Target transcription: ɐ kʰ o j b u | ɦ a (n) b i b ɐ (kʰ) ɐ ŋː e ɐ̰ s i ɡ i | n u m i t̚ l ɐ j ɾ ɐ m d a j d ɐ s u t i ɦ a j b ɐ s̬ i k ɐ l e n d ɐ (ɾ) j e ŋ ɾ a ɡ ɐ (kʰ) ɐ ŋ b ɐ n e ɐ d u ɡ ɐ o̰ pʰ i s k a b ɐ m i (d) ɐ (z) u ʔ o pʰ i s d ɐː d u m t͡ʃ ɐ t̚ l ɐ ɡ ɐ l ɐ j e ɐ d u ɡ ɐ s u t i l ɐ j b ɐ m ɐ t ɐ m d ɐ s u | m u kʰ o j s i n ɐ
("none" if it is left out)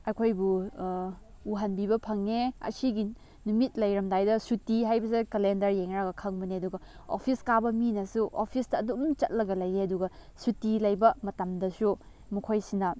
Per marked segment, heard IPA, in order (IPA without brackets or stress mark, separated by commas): n, pʰ, ɾ, kʰ, n, s